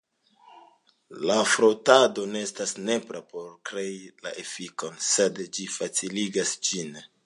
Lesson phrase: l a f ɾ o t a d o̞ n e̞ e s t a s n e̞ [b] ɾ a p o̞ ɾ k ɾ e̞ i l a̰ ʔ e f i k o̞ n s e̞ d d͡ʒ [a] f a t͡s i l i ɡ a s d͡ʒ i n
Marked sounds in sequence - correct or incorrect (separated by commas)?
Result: incorrect, incorrect